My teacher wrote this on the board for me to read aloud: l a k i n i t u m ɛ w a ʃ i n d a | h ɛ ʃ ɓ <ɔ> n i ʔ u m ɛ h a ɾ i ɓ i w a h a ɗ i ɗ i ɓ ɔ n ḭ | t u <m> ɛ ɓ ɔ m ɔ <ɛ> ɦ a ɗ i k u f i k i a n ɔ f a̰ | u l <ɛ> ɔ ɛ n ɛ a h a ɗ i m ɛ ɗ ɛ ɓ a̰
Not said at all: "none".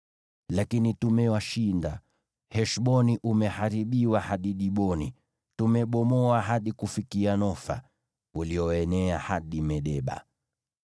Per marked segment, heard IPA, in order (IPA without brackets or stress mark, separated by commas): ɔ, m, a, i